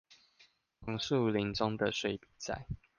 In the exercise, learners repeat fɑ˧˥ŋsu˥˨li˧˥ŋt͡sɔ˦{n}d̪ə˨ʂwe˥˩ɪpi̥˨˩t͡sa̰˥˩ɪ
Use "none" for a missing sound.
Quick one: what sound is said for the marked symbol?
ŋ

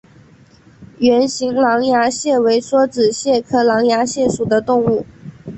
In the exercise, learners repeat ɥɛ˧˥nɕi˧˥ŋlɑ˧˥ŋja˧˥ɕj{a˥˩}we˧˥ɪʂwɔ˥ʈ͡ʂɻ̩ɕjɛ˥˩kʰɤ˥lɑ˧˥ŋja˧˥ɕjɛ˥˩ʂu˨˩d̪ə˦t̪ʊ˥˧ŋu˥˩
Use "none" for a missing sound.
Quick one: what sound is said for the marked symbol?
ɛ˥˩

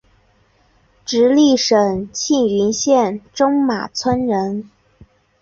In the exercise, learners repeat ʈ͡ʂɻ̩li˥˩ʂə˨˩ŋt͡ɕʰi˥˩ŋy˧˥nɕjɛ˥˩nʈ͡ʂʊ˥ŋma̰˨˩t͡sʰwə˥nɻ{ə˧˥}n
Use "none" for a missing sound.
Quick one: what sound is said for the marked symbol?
ə˧˥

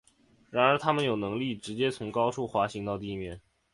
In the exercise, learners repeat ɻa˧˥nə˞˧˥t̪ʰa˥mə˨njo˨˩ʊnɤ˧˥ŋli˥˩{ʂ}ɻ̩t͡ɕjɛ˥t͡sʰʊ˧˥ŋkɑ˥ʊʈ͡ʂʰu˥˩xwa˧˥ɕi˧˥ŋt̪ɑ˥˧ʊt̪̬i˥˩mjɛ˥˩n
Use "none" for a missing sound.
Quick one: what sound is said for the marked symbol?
ʈ͡ʂ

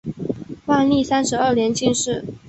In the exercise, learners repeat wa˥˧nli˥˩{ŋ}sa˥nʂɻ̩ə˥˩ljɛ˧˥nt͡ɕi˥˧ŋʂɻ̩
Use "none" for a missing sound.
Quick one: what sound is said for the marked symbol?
none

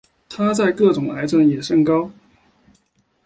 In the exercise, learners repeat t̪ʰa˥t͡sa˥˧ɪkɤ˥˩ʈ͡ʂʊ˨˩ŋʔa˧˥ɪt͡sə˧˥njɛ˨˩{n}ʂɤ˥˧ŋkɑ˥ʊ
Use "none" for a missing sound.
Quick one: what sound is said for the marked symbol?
none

